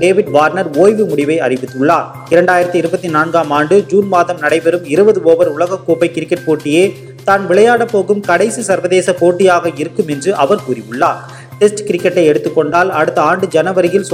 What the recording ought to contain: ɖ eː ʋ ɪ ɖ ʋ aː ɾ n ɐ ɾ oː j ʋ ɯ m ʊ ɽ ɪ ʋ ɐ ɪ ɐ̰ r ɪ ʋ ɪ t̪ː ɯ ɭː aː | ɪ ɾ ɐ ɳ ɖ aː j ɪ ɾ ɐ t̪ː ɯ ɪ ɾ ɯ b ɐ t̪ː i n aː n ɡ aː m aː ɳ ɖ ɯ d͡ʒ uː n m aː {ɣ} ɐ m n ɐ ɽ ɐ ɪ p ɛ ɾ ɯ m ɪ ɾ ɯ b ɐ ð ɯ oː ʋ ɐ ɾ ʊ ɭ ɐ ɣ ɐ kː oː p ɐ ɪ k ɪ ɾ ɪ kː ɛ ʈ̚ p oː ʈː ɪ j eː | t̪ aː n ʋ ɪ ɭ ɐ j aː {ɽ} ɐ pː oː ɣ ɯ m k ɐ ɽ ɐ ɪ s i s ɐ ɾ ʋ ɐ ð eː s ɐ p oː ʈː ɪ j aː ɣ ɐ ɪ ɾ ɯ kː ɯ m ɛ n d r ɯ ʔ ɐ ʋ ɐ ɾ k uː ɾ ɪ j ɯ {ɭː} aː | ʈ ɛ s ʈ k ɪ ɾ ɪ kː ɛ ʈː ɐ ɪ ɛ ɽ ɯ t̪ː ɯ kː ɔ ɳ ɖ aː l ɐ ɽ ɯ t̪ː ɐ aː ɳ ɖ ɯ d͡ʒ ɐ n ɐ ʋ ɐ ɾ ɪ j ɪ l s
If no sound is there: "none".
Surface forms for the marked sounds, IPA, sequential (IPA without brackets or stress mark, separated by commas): ð, ɽ, ɭː